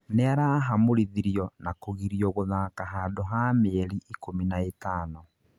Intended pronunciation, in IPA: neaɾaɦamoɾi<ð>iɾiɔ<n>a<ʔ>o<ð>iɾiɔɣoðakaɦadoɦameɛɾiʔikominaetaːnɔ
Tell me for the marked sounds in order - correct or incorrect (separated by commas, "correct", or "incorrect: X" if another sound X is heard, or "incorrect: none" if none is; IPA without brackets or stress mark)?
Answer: correct, correct, incorrect: k, incorrect: ɣ